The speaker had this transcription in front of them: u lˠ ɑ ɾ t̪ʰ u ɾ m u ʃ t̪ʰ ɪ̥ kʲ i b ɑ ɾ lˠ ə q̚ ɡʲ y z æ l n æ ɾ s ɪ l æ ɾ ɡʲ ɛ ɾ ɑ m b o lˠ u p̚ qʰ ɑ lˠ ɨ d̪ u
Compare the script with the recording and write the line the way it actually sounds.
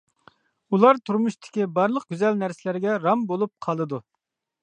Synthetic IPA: u lˠ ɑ ɾ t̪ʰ u ɾ m u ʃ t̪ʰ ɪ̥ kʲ i b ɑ ɾ lˠ ə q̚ ɡʲ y z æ l n æ ɾ s ɪ l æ ɾ ɡʲ ɛ ɾ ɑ m b o lˠ u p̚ qʰ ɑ lˠ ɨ d̪ u